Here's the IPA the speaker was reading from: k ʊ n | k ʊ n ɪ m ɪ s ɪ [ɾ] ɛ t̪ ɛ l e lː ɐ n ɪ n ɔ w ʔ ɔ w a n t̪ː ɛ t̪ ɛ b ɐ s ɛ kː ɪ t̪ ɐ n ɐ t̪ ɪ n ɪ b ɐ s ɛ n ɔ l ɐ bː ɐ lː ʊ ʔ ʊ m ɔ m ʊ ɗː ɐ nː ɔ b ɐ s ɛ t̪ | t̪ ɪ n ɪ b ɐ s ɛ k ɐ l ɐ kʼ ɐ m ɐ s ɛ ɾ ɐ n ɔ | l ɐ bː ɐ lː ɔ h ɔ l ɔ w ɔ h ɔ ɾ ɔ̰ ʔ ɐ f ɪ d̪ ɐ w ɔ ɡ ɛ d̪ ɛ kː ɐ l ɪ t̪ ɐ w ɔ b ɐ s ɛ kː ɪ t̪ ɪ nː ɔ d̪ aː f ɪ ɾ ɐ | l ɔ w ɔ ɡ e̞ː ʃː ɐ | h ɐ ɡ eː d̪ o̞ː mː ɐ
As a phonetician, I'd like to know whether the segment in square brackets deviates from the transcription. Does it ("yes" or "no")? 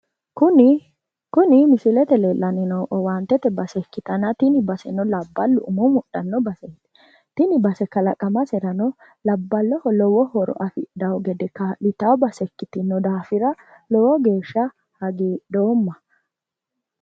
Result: yes